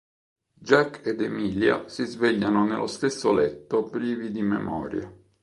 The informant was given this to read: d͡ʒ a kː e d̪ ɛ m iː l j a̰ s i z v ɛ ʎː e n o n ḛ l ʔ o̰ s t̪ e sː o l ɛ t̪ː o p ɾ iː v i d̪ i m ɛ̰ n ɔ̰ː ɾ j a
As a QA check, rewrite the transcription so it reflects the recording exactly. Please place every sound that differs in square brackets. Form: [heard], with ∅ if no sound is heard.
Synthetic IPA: d͡ʒ a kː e d̪ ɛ m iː l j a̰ s i z v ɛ ʎː [a] n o n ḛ l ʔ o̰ s t̪ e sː o l ɛ t̪ː o p ɾ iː v i d̪ i m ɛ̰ [m] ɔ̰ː ɾ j a